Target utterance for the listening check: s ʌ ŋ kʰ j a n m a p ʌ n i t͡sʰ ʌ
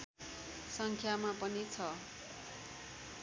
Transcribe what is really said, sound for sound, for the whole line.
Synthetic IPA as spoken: s ʌ ŋ kʰ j a m a p ʌ n i t͡sʰ ʌ